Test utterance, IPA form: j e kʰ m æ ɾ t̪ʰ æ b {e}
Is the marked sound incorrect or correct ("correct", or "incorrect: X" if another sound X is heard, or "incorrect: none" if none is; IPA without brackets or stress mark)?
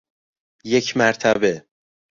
correct